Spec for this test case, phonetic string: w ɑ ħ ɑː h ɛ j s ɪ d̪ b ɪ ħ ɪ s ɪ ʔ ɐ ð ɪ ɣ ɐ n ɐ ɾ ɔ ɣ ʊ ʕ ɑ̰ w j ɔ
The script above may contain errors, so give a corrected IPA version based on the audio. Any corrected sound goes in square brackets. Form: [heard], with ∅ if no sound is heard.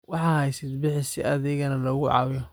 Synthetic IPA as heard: w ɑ ħ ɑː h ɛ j s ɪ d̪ b ɪ ħ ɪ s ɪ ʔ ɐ ð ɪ ɣ ɐ n ɐ [l] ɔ ɣ ʊ ʕ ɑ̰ w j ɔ